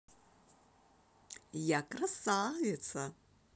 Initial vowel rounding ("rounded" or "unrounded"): unrounded